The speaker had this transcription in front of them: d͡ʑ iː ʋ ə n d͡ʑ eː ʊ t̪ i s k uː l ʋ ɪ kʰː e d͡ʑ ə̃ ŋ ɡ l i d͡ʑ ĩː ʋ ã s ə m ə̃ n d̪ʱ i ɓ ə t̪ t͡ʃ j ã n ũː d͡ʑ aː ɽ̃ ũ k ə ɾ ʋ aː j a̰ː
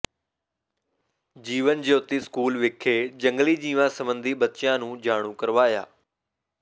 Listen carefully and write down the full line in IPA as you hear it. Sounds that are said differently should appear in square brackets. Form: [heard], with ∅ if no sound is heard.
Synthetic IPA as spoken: d͡ʑ iː ʋ ə n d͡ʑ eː ʊ t̪ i s k uː l ʋ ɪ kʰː e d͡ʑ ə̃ ŋ ɡ l i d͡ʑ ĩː ʋ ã s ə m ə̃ n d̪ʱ i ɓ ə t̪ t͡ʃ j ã n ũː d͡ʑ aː ɽ̃ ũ k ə ɾ ʋ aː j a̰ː